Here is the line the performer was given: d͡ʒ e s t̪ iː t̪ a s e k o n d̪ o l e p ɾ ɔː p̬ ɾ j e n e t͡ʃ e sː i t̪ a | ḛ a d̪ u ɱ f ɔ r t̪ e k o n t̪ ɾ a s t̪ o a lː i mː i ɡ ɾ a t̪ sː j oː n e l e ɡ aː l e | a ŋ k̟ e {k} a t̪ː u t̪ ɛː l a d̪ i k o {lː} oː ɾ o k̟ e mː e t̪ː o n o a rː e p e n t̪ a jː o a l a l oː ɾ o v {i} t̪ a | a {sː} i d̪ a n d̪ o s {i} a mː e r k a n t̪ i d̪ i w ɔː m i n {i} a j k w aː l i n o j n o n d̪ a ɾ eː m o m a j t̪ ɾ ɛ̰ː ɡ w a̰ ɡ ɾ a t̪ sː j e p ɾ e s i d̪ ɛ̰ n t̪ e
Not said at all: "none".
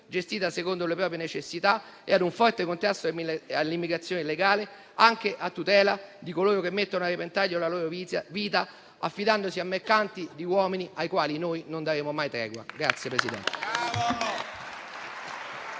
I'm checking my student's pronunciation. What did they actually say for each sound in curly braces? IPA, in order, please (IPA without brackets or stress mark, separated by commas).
ʔ, l, iː, fː, i, i